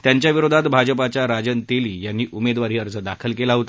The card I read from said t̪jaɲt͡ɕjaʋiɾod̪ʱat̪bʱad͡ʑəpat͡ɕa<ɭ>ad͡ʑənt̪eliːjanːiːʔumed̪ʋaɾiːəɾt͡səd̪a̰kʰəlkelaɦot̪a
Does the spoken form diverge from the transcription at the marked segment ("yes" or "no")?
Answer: yes